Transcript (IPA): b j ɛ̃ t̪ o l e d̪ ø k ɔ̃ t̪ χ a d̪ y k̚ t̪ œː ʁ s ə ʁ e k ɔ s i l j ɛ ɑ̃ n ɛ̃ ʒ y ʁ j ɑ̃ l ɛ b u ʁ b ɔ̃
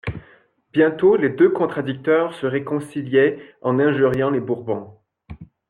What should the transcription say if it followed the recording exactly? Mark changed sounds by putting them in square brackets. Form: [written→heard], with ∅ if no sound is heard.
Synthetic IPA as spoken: b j ɛ̃ t̪ o l e d̪ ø k ɔ̃ t̪ χ a d̪ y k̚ t̪ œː ʁ s ə ʁ e k [ɔ→ɔ̃] s i l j ɛ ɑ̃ n ɛ̃ ʒ y ʁ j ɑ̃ l [ɛ→e] b u ʁ b ɔ̃